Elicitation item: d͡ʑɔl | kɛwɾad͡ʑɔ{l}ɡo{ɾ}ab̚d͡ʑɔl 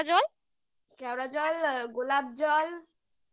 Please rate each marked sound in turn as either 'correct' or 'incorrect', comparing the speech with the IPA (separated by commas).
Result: correct, incorrect